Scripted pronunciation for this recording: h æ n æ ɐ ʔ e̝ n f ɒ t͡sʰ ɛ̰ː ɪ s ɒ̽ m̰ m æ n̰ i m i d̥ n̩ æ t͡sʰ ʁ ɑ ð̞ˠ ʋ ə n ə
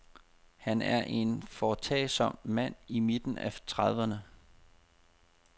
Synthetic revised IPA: h æ n æ ɐ ʔ e̝ n f ɒ t͡sʰ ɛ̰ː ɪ s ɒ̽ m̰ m æ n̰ i m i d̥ n̩ æ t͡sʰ ʁ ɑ ð̞ˠ ʋ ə n ə